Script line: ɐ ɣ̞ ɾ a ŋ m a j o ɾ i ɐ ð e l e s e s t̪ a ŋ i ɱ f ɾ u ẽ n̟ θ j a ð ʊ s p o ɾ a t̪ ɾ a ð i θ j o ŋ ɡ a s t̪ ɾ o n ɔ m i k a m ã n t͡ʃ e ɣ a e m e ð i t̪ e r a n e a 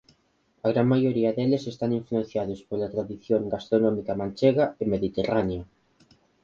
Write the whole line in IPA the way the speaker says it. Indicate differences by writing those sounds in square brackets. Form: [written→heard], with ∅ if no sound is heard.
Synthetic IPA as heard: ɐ ɣ̞ ɾ a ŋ m a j o ɾ i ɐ ð e l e s e s t̪ a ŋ i ɱ f [ɾ→l] u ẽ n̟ θ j a ð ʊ s p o [ɾ→l] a t̪ ɾ a ð i θ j o ŋ ɡ a s t̪ ɾ o n ɔ m i k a m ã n t͡ʃ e ɣ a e m e ð i t̪ e r a n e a

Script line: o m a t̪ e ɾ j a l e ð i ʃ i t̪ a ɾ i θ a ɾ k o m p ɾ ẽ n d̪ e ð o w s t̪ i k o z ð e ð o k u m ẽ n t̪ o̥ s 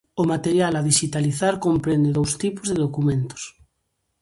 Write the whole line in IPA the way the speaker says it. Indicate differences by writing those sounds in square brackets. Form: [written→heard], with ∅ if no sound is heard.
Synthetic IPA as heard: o m a t̪ e ɾ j a l [e→a] ð i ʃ i t̪ a [ɾ→l] i θ a ɾ k o m p ɾ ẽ n d̪ e ð o w s t̪ i [k→p] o z ð e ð o k u m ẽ n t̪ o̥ s

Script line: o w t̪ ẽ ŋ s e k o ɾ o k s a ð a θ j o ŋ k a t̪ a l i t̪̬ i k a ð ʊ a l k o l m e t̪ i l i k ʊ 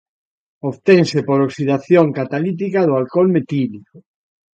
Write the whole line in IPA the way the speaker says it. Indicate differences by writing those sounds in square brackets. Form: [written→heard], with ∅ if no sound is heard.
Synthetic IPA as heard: o [w→β] t̪ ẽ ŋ s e [k→p] o ɾ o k s [a→i] ð a θ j o ŋ k a t̪ a l i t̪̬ i k a ð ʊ a l k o l m e t̪ i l i k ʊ

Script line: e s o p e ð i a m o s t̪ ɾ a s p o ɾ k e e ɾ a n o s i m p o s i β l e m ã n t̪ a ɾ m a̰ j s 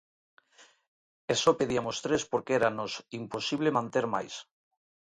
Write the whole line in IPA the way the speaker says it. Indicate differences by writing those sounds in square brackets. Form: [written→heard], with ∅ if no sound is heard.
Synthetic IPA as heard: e s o p e ð i a m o s t̪ ɾ [a→e] s p o ɾ k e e ɾ a n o s i m p o s i β l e m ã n t̪ [a→e] ɾ m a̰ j s

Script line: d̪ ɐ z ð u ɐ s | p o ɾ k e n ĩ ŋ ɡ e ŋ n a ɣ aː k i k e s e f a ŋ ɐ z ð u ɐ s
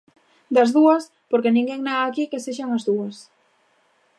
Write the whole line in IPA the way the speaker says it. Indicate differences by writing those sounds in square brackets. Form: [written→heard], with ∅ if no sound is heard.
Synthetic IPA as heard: d̪ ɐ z ð u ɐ s | p o ɾ k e n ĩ ŋ ɡ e ŋ n a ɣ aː k i k e s e [f→ʃ] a ŋ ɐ z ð u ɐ s

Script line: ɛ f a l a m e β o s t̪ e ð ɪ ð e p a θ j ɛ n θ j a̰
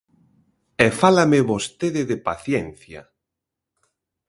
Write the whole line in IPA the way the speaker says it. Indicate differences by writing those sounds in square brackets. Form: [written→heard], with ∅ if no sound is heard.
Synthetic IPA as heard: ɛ f a l a m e β o s t̪ e ð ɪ ð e p a θ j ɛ n θ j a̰

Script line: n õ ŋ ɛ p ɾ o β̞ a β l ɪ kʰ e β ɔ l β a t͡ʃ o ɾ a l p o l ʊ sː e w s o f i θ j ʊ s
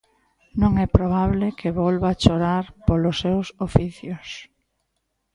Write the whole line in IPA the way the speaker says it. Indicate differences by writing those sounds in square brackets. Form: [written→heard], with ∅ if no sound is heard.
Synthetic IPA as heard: n õ ŋ ɛ p ɾ o β̞ a β l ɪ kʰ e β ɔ l β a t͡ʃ o ɾ a [l→ɾ] p o l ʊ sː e w s o f i θ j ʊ s

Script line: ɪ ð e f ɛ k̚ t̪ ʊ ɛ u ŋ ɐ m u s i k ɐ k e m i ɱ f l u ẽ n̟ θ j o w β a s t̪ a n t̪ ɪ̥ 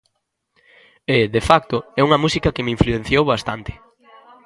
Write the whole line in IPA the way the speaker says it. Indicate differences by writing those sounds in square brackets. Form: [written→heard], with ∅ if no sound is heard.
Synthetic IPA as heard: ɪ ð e f [ɛ→a] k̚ t̪ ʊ ɛ u ŋ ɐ m u s i k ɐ k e m i ɱ f l u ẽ n̟ θ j o w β a s t̪ a n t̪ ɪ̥

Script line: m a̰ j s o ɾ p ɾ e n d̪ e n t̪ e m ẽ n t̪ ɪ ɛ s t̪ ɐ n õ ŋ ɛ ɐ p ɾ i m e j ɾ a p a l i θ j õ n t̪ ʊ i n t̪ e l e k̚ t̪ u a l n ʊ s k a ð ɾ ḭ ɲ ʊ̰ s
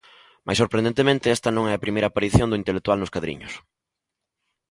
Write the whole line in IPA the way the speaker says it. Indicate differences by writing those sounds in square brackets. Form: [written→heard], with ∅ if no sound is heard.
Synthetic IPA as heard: m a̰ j s o ɾ p ɾ e n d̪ e n t̪ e m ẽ n t̪ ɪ ɛ s t̪ ɐ n õ ŋ ɛ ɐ p ɾ i m e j ɾ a p a [l→ɾ] i θ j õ n [t̪→d̪] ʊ i n t̪ e l e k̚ t̪ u a l n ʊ s k a ð ɾ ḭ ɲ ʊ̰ s

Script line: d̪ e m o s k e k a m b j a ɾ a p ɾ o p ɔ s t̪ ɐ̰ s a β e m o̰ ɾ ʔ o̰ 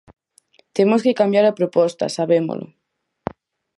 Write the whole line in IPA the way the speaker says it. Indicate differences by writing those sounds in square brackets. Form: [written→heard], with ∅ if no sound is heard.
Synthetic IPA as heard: [d̪→t̪] e m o s k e k a m b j a ɾ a p ɾ o p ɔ s t̪ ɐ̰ s a β e m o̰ [ɾ→l] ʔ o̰

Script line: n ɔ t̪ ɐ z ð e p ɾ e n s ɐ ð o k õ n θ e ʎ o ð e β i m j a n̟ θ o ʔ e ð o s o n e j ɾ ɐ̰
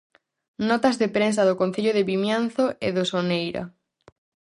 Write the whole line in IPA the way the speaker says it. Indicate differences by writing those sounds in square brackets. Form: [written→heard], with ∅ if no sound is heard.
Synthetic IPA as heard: n ɔ t̪ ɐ z ð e p ɾ e n s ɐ ð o k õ n θ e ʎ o ð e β i m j a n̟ θ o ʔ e ð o s o n e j ɾ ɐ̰

